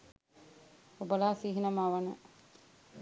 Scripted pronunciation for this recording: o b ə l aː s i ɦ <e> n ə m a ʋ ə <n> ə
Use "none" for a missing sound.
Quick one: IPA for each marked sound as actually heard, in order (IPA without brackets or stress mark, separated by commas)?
i, n